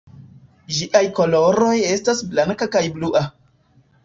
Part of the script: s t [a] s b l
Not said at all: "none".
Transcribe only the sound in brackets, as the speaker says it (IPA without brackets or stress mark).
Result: a